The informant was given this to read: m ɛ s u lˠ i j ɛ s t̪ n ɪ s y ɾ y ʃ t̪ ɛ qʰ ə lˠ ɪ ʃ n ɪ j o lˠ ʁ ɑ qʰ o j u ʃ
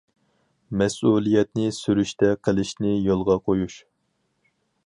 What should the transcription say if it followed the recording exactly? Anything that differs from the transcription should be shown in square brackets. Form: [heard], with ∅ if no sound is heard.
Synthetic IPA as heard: m ɛ s u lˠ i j ɛ [∅] t̪ n ɪ s y ɾ y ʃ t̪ ɛ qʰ ə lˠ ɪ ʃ n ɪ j o lˠ ʁ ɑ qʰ o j u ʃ